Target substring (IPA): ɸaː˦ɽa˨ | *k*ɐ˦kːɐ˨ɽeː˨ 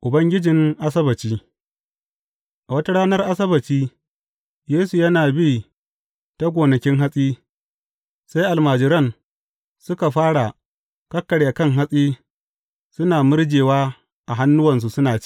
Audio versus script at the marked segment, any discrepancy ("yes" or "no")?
no